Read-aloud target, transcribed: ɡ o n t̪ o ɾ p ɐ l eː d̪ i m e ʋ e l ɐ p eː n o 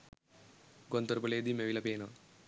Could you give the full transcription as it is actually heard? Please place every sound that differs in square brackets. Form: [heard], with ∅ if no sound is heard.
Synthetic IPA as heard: ɡ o n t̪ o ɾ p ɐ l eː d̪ i m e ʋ [i] l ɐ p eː n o

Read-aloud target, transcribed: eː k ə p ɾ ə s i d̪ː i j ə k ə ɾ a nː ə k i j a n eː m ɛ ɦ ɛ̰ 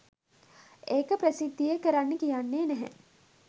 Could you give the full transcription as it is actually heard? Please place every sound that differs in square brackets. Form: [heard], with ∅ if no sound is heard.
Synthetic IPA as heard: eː k ə p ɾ ə s i d̪ː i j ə k ə ɾ a nː ə k i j a [nː] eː [n] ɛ ɦ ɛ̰

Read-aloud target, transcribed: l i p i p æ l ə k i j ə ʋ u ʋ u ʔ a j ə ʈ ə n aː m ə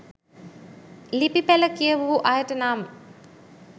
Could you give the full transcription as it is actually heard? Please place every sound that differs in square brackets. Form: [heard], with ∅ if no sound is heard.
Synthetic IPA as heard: l i p i p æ l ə k i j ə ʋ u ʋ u ʔ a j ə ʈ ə n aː m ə

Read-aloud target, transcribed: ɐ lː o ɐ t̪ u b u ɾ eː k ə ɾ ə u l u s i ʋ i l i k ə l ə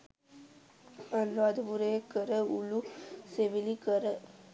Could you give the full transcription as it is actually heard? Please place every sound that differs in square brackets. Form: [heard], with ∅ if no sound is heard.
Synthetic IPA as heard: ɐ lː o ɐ [d̪] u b u ɾ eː k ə ɾ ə u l u s [e] ʋ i l i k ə [ɾ] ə

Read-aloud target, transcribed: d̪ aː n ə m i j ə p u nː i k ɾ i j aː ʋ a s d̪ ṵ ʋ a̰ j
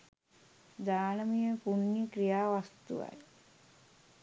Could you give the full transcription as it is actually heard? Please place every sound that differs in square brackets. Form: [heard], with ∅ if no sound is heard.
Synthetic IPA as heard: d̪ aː n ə m i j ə p u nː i k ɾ i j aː ʋ a s [t̪] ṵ ʋ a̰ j

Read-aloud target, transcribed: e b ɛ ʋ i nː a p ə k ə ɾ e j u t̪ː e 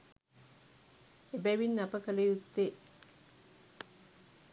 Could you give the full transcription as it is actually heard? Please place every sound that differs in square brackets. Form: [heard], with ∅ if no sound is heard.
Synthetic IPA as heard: e b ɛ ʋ i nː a p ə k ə [l] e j u t̪ː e

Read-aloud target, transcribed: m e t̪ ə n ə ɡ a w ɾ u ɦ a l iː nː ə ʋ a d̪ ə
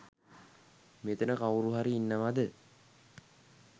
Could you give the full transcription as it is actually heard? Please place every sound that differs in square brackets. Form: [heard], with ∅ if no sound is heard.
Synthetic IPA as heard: m e t̪ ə n ə [k] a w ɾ u ɦ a [ɾ] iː nː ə ʋ a d̪ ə

